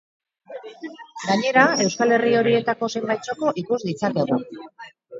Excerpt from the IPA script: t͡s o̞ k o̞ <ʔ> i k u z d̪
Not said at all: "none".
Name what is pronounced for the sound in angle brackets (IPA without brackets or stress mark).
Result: ʔ